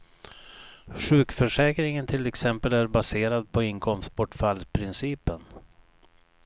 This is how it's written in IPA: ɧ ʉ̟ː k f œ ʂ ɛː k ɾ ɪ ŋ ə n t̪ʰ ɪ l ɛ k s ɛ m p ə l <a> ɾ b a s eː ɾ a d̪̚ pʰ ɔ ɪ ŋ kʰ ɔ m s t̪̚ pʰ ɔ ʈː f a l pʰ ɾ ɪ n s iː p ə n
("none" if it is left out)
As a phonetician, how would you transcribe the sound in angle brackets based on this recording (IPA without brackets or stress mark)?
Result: æ